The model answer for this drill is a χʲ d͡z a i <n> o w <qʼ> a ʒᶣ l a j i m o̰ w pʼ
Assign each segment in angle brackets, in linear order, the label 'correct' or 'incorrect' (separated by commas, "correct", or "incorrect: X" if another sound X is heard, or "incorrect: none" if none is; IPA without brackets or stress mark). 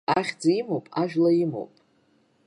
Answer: incorrect: m, incorrect: pʼ